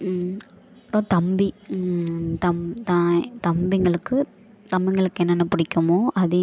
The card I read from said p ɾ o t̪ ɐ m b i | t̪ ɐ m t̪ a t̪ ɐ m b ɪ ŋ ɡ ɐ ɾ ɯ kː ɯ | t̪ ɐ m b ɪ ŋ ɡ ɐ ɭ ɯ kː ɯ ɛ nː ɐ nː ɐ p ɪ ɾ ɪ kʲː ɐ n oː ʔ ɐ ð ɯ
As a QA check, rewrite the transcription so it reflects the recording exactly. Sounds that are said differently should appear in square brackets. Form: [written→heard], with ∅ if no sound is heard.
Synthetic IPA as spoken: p ɾ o t̪ ɐ m b i | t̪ ɐ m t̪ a t̪ ɐ m b ɪ ŋ ɡ ɐ [ɾ→ɭ] ɯ kː ɯ | t̪ ɐ m b ɪ ŋ ɡ ɐ ɭ ɯ kː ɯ ɛ nː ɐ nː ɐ p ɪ [ɾ→ɽ] ɪ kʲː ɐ [n→m] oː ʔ ɐ ð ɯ